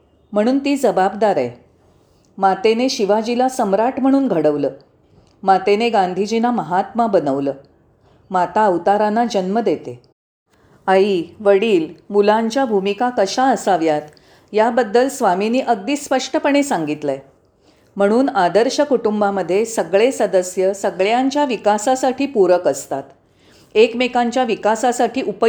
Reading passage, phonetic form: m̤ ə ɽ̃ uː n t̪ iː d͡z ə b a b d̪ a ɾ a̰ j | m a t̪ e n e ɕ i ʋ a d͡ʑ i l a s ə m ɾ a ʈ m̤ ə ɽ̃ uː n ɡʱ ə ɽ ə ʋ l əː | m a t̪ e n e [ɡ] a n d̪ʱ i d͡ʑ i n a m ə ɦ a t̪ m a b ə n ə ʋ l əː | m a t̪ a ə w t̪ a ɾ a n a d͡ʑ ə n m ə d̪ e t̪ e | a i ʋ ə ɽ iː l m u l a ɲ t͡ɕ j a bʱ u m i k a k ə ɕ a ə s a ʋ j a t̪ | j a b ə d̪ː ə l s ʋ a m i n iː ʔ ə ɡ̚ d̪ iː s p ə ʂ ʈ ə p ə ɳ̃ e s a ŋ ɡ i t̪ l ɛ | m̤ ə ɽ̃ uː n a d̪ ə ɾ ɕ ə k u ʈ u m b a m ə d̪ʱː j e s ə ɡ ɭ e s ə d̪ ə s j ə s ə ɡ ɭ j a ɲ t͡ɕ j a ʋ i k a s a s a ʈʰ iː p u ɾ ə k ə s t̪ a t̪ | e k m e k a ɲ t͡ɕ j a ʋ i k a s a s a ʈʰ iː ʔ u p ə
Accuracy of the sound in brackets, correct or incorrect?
correct